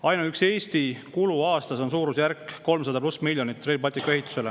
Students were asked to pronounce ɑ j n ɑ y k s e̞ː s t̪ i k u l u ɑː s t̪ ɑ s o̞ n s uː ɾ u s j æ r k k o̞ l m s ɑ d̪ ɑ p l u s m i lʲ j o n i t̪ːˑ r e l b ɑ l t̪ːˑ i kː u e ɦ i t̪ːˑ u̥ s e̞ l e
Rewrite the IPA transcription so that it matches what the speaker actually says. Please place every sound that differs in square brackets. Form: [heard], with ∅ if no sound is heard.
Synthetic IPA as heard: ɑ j n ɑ y k s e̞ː s t̪ i k u l u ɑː s t̪ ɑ s o̞ n s uː ɾ u s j æ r k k o̞ l m s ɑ d̪ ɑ p l u s m i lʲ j o n i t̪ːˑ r e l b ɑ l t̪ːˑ i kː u e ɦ i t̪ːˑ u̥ s e̞ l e